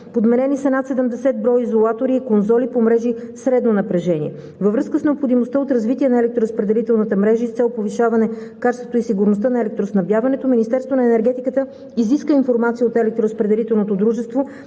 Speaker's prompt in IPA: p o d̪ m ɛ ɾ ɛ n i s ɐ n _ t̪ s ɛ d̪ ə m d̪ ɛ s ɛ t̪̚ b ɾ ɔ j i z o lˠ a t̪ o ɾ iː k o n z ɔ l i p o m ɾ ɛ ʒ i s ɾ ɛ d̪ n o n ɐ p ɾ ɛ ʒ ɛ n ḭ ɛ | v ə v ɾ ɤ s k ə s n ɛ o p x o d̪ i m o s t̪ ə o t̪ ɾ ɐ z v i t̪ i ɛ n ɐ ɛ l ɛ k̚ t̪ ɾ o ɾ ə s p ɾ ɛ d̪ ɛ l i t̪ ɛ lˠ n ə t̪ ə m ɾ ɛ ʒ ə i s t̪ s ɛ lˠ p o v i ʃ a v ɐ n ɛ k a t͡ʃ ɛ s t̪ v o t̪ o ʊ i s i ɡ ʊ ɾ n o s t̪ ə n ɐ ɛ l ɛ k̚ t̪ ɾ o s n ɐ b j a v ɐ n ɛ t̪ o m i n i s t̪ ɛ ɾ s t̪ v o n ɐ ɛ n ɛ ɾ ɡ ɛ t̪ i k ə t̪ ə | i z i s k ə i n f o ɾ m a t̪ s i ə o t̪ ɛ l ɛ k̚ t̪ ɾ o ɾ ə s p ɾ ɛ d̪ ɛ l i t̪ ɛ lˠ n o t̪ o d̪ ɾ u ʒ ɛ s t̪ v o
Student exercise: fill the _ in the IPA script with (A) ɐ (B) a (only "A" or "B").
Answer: B